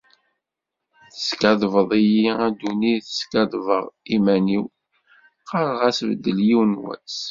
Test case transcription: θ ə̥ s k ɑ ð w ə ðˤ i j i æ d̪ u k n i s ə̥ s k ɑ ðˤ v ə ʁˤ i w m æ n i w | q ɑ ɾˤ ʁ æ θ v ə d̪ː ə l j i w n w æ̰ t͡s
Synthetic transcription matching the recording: θ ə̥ s k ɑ ð v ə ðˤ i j i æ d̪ u n i θ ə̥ s k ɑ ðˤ v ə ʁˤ i m æ n i w | q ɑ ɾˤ ʁ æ s v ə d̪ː ə l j i w n w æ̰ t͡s

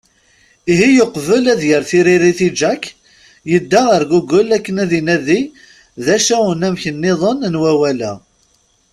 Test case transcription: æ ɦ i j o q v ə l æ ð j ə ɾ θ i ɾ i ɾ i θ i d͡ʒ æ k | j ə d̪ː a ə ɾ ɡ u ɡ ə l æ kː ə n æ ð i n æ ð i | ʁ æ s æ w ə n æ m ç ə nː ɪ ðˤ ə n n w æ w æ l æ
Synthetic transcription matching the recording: i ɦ i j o q v ə l æ ð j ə ɾ θ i ɾ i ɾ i θ i d͡ʒ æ k | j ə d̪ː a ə ɾ ɡ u ɡ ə l æ kː ə n æ ð i n æ ð i | ð æ ʃ æ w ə n æ m ç ə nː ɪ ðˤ ə n n w æ w æ l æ

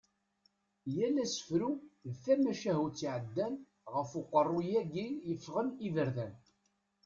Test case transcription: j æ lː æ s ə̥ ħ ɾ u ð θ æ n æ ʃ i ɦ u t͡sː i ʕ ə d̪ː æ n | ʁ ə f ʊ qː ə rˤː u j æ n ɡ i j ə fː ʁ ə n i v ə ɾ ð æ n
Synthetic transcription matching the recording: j æ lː æ s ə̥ f ɾ u ð θ æ m æ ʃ æ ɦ u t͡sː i ʕ ə d̪ː æ n | ʁ ə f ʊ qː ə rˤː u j æ ɡ i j ə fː ʁ ə n i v ə ɾ ð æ n

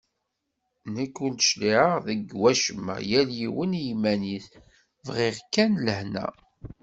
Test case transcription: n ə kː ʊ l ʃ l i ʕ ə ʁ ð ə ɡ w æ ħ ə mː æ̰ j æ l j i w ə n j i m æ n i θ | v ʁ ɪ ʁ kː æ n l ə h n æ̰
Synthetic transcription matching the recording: n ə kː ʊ l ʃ l i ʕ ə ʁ ð ə ɡ w æ ʃ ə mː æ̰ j æ l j i w ə n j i m æ n i θ | v ʁ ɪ ʁ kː æ n l ə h n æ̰

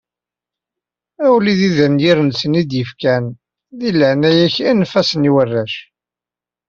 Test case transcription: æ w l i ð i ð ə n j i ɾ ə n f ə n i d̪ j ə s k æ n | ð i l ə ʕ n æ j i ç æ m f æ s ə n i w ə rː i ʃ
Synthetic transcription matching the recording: æ w l i ð i ð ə n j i ɾ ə n s ə n i d̪ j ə f k æ n | ð i l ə ʕ n æ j æ ç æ n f æ s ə n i w ə rː æ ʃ

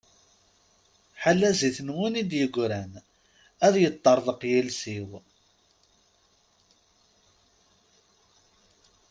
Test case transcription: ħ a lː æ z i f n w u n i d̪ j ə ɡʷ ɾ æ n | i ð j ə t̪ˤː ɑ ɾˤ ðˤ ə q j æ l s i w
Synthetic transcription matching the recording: ħ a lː æ z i θ n w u n i d̪ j ə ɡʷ ɾ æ n | æ ð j ə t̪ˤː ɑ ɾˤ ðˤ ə q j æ l s i w

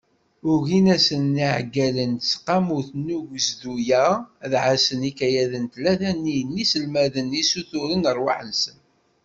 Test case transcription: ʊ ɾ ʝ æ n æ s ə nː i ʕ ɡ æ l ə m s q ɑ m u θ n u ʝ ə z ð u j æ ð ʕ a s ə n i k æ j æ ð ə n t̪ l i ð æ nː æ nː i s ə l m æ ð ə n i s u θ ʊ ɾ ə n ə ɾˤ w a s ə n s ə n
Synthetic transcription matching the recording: ʊ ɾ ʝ i n æ s ə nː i ʕ ɡ æ l ə n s q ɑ m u θ n u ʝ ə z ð u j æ ð ʕ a s ə n i k æ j æ ð ə n t̪ l æ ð æ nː i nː i s ə l m æ ð ə n i s u θ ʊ ɾ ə n ə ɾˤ w a ħ ə n s ə n

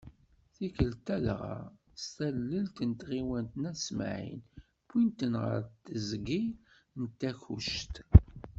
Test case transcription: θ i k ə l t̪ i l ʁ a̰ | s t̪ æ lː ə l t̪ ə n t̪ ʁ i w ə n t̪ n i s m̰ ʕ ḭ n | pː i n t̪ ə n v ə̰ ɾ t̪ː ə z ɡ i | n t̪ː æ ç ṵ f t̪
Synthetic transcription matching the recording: θ i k ə l t̪ æ l ʁ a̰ | s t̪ æ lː ə l t̪ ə n t̪ ʁ i w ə n t̪ n æ s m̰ ʕ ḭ n | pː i n t̪ ə n ʁ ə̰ ɾ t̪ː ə z ɡ i | n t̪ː æ ç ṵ ʃ t̪

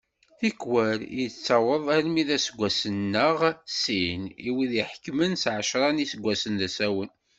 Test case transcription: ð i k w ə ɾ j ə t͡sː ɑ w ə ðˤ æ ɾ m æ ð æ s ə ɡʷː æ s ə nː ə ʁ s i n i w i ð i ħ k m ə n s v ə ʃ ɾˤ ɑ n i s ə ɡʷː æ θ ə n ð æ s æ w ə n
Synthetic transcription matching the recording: θ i k w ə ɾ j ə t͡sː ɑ w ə ðˤ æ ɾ m i ð æ s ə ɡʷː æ s ə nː ə ʁ s i n i w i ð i ħ k m ə n s ʕ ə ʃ ɾˤ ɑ n i s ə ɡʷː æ s ə n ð æ s æ w ə n

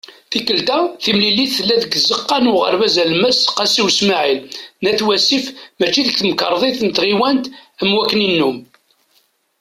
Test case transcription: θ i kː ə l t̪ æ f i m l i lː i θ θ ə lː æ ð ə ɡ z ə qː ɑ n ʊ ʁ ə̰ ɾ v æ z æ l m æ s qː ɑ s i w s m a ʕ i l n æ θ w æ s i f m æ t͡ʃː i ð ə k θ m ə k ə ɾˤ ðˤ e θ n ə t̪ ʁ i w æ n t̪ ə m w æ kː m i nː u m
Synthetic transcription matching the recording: θ i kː ə l t̪ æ θ i m l i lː i θ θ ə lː æ ð ə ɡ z ə qː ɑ n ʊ ʁ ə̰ ɾ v æ z æ l m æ s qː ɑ s i w s m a ʕ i l n æ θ w æ s i f m æ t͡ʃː i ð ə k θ m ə k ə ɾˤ ðˤ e θ n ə t̪ ʁ i w æ n t̪ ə m w æ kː n i nː u m

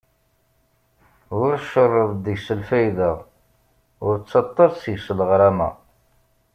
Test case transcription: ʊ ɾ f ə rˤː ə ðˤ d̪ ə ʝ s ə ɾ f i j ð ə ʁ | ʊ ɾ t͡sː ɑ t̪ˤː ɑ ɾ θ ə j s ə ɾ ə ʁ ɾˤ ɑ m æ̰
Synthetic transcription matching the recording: ʊ ɾ ʃ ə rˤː ə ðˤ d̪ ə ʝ s ə l f æ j ð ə ʁ | ʊ ɾ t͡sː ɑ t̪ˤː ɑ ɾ s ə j s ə l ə ʁ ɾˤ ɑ m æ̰

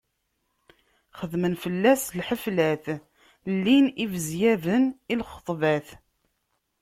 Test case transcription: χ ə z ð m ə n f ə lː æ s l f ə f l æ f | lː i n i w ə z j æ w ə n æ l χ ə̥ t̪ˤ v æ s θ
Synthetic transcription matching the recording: χ ə ð m ə n f ə lː æ s l ħ ə f l æ θ | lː i n i v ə z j æ v ə n i l χ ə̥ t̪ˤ v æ θ

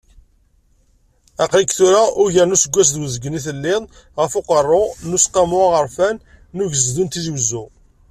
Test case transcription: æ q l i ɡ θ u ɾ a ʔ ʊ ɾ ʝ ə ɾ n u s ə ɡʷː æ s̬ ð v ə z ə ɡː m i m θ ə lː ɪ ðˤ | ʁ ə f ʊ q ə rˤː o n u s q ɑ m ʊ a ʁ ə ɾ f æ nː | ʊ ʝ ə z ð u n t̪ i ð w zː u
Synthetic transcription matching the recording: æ q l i k θ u ɾ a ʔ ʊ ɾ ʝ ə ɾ n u s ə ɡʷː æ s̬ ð w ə z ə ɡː n i θ ə lː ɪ ðˤ | ʁ ə f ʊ q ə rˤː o n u s q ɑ m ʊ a ʁ ə ɾ f æ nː | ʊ ʝ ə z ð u n t̪ i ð w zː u

